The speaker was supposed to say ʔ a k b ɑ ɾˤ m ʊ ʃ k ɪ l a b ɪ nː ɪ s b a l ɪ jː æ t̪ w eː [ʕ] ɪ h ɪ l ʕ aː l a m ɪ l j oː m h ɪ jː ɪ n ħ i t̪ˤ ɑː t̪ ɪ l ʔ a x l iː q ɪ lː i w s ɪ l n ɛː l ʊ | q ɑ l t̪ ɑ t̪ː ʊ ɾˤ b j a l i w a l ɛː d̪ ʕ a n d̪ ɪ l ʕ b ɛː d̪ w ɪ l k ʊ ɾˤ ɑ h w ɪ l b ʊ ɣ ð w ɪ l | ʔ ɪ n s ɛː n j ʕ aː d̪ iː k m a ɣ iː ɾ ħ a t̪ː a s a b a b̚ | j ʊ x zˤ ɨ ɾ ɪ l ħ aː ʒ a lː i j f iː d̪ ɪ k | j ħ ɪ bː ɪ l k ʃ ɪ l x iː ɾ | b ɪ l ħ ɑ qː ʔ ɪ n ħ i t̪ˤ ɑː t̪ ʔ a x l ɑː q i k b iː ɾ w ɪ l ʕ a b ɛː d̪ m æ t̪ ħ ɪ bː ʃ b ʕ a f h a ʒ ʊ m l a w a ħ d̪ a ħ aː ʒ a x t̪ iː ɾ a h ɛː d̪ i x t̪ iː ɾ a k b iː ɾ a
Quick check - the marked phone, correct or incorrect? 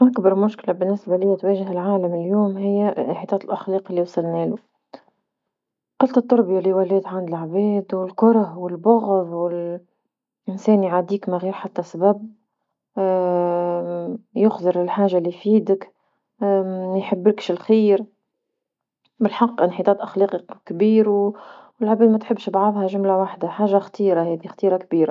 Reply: incorrect